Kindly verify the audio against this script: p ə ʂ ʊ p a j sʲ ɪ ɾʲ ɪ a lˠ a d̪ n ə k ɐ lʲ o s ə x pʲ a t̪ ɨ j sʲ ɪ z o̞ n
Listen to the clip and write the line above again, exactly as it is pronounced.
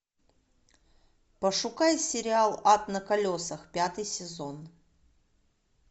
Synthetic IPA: p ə ʂ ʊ k a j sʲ ɪ ɾʲ ɪ a lˠ a t̪ n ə k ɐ lʲ o s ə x pʲ a t̪ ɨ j sʲ ɪ z o̞ n